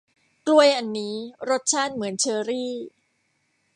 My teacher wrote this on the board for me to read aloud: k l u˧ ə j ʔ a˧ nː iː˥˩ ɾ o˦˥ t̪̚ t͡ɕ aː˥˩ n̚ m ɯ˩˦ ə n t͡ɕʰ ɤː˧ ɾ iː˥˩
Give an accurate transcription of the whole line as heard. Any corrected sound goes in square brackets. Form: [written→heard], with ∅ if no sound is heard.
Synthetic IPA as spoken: k l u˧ ə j ʔ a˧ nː [iː˥˩→iː˦˥] ɾ o˦˥ t̪̚ [t͡ɕ→t͡ɕʰ] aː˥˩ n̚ m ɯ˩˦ ə n t͡ɕʰ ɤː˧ ɾ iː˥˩